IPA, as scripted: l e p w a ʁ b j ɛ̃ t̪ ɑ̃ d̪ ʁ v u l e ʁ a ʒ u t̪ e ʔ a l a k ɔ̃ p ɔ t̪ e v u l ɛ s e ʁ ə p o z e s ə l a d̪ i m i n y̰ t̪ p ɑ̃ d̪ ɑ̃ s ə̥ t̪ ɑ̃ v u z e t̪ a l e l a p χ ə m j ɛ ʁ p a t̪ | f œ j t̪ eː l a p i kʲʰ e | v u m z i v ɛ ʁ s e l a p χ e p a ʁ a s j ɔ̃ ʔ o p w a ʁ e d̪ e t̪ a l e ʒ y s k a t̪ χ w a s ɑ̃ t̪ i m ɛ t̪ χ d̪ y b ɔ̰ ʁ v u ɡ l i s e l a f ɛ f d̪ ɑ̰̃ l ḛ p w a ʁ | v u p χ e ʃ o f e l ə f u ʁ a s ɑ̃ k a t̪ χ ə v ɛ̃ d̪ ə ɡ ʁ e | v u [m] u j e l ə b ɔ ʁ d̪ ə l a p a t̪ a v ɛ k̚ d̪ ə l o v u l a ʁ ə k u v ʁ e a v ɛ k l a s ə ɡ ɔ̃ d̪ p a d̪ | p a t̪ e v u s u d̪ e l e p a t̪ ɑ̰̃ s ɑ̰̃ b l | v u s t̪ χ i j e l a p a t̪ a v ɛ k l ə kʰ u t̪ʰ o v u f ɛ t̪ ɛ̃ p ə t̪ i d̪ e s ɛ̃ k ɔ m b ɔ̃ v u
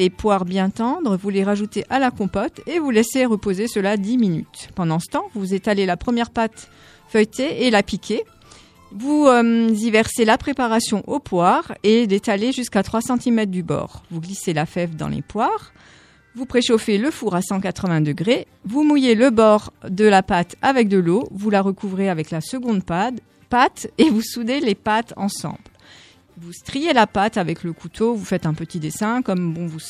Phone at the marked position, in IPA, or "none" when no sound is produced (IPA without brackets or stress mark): m